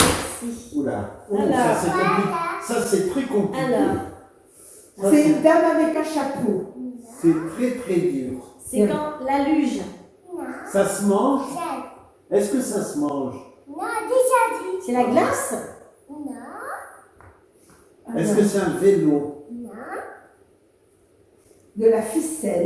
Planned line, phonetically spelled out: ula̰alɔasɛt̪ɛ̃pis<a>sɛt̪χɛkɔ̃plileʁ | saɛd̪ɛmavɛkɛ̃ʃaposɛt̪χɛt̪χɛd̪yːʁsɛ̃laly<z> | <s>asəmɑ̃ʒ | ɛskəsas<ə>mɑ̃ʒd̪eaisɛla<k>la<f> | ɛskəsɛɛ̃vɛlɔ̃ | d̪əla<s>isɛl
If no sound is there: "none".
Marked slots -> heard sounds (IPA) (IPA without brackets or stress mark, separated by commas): a, ʒ, s, ə, ɡ, s, f